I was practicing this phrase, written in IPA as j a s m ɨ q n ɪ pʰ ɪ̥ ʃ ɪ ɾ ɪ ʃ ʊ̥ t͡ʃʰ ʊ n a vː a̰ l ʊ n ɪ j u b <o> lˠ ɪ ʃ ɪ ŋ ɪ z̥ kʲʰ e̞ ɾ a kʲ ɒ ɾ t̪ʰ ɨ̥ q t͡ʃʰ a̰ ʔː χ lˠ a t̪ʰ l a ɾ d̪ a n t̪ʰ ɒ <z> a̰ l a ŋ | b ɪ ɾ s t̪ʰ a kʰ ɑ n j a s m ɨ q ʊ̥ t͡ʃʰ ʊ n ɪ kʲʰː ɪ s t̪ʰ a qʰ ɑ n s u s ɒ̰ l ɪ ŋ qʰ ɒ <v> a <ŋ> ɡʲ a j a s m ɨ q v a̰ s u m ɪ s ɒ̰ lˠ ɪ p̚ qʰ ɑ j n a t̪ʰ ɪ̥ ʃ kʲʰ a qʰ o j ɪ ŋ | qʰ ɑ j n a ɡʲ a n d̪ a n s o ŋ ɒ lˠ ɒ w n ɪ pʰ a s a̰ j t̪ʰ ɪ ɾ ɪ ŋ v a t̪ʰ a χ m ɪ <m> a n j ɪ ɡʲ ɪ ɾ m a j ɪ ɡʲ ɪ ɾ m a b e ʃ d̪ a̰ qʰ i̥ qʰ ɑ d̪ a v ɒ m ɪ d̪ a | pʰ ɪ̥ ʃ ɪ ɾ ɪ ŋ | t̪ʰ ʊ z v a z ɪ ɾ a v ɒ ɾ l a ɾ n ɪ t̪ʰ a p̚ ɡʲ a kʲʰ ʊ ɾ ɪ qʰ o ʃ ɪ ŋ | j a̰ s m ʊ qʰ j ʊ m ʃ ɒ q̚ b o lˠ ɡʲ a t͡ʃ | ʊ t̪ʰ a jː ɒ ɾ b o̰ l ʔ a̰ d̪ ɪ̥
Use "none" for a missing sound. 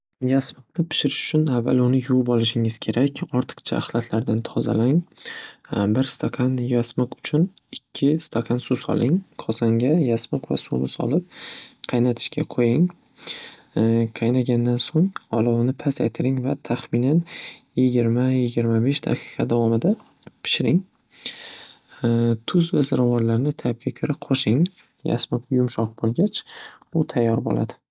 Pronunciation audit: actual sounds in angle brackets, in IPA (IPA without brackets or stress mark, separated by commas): ɒ, z, z, ŋ, n